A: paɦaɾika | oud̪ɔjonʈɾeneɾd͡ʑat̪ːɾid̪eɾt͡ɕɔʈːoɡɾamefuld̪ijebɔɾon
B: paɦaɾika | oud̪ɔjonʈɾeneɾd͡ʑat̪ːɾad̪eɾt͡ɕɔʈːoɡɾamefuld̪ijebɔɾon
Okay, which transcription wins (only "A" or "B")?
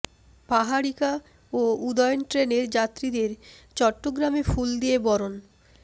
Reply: A